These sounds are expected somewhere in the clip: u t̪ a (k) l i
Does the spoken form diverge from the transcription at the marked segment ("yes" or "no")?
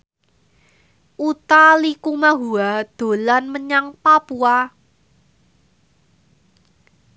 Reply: yes